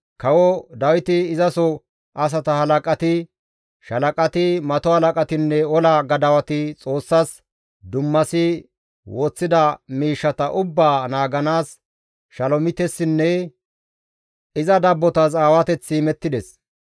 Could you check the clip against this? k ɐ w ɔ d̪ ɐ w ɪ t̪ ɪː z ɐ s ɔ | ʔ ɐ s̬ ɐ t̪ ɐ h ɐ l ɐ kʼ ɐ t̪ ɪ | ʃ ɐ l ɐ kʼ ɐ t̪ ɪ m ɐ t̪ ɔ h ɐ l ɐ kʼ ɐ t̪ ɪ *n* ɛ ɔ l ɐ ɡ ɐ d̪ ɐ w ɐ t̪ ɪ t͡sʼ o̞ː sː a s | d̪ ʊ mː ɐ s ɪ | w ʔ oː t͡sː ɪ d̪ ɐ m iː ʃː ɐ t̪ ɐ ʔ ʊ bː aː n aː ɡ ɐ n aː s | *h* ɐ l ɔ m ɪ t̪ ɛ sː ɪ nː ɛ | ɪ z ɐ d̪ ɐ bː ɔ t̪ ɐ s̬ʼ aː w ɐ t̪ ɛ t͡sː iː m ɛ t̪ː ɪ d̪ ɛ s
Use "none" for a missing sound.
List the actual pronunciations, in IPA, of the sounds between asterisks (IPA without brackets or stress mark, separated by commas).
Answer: nː, ʃ